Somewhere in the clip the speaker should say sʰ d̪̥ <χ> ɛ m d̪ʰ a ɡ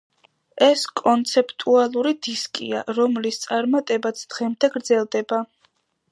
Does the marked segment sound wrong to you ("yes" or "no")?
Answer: yes